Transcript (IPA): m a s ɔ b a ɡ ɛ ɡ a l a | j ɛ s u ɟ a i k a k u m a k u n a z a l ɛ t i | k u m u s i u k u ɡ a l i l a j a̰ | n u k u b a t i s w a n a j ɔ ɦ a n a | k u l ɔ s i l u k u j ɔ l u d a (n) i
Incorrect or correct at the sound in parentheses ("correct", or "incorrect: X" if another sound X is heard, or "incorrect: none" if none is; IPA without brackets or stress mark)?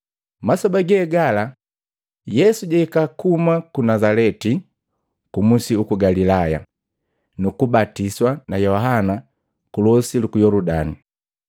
correct